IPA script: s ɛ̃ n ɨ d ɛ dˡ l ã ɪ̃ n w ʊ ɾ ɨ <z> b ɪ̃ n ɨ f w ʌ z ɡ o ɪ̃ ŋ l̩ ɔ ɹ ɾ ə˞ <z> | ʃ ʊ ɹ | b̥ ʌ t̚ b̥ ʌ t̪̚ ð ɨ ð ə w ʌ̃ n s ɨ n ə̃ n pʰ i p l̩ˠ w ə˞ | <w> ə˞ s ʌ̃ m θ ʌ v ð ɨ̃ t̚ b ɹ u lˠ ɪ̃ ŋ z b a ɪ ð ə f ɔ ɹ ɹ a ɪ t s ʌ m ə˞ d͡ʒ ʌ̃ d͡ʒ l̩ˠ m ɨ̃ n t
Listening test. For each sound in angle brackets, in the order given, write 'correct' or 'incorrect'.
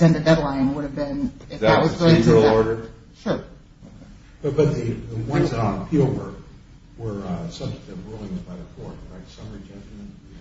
incorrect, incorrect, correct

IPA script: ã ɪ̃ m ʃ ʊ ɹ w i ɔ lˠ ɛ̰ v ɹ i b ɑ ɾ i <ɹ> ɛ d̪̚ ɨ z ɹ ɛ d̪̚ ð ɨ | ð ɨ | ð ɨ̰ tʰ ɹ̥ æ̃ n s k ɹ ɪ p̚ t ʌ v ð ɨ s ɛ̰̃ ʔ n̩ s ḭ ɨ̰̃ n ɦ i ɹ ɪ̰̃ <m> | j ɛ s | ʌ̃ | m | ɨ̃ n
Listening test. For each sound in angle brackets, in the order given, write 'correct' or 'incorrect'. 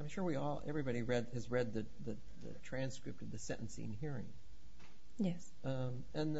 correct, incorrect

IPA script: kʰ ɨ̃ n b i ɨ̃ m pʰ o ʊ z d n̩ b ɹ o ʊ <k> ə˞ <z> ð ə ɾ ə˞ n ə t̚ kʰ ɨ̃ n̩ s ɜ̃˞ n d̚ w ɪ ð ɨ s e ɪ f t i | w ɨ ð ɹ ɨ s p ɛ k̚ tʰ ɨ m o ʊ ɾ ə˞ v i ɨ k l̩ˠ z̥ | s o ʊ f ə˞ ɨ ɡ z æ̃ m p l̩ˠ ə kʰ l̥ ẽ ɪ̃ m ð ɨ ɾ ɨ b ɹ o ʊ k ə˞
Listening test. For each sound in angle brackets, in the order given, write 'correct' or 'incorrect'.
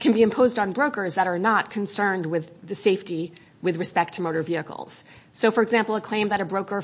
correct, correct

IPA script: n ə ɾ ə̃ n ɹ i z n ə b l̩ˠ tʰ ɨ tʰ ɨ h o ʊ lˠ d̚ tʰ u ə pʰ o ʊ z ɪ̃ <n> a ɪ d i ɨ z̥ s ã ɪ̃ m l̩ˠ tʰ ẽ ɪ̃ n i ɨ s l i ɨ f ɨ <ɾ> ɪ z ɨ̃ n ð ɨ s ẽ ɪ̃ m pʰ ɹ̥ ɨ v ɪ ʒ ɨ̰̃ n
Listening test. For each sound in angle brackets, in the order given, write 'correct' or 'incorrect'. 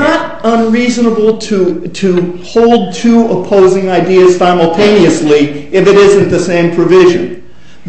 incorrect, correct

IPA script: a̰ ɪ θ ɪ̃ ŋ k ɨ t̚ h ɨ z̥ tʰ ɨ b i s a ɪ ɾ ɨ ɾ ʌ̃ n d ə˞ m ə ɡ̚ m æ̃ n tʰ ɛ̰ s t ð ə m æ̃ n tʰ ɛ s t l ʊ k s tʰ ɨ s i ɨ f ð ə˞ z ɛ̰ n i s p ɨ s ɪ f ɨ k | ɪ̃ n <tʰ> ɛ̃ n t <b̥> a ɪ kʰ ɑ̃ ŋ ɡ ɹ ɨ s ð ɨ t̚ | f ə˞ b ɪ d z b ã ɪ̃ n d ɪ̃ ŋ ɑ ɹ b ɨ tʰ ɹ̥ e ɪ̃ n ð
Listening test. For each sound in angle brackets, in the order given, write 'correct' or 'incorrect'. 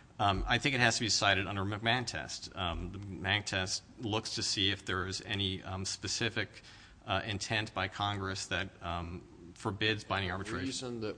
correct, correct

